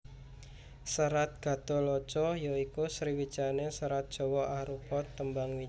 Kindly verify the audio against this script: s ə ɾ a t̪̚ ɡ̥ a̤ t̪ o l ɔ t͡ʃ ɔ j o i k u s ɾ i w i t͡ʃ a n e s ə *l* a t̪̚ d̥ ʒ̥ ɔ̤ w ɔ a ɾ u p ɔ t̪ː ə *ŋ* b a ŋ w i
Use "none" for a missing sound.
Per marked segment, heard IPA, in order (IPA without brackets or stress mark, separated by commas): ɾ, m